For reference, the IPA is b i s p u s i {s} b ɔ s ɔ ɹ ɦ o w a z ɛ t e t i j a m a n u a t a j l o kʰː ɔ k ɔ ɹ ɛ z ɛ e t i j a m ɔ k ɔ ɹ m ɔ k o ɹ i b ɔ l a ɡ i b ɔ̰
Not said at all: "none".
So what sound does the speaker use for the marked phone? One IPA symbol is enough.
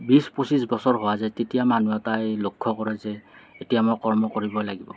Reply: s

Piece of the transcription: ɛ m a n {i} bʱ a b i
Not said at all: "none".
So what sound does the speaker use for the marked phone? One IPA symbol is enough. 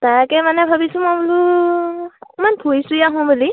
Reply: ɛ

